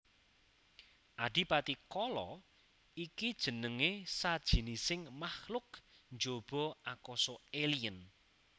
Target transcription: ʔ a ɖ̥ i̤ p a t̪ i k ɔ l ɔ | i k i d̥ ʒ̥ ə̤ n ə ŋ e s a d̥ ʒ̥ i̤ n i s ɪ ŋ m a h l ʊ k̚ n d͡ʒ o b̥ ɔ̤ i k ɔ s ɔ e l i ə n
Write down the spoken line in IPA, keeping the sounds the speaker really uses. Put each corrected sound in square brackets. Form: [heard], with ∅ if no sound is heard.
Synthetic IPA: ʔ a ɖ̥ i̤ p a t̪ i k ɔ l ɔ | i k i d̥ ʒ̥ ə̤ n ə ŋ e s a d̥ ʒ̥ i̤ n i s ɪ ŋ m a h l ʊ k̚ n d͡ʒ o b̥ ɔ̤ [a] k ɔ s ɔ e l i ə n

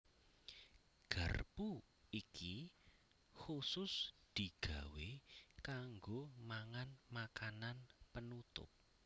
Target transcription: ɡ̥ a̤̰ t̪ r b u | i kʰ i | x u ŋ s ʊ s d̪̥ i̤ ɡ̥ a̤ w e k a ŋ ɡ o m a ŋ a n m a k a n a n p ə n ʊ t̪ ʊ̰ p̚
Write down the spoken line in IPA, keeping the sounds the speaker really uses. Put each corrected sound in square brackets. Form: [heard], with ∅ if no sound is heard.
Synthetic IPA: ɡ̥ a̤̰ [∅] r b u | i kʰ i | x u [∅] s ʊ s d̪̥ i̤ ɡ̥ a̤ w e k a ŋ ɡ o m a ŋ a n m a k a n a n p ə n [u] t̪ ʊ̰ p̚

